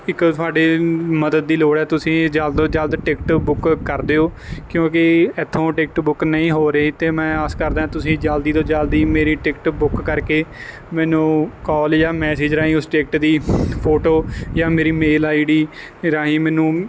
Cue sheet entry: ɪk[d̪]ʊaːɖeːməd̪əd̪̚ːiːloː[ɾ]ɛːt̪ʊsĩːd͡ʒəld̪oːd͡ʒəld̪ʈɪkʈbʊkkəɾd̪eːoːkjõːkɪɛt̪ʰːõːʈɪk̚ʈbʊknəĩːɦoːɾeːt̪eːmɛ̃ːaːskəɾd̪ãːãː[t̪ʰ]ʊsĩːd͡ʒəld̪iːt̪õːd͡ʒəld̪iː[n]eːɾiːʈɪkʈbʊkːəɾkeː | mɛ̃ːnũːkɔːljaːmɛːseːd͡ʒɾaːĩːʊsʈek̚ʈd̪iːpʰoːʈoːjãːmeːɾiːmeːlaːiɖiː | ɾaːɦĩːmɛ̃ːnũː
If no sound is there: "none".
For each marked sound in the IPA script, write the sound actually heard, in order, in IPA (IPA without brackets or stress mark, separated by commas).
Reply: t̪, ɽ, t̪, m